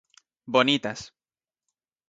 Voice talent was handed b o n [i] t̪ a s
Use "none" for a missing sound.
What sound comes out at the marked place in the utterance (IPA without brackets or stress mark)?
i